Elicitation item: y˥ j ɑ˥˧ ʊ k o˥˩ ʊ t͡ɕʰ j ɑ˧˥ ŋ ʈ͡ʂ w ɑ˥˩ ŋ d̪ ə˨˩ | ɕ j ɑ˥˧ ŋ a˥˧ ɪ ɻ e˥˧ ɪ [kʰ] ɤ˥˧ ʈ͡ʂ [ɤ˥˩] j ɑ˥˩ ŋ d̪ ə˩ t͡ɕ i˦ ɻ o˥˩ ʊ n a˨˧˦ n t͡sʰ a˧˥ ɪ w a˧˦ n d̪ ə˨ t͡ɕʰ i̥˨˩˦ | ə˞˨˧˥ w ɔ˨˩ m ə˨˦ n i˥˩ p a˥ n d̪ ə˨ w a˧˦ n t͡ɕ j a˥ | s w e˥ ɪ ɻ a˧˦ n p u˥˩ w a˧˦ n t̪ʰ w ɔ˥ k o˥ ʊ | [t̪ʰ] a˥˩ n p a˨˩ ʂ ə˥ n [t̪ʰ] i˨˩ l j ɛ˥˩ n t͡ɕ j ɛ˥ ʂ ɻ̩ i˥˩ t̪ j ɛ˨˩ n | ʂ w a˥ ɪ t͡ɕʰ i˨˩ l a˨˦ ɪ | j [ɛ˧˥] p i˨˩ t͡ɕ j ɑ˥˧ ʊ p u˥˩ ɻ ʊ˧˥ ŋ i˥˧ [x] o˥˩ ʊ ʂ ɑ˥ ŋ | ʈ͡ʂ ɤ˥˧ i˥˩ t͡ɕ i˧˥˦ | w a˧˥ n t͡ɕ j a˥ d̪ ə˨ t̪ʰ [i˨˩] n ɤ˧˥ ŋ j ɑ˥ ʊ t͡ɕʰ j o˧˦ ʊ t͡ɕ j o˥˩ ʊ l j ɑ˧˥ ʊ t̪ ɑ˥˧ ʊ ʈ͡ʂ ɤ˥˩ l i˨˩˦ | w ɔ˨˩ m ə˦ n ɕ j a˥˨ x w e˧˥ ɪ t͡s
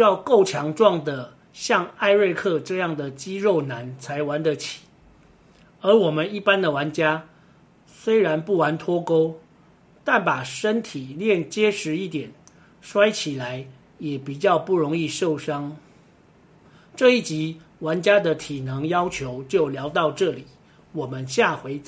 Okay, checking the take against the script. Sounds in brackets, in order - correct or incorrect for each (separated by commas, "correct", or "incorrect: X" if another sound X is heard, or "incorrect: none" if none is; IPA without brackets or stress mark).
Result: correct, incorrect: ɤ˥˧, incorrect: t̪, correct, incorrect: ɛ˨˩, incorrect: ʂ, correct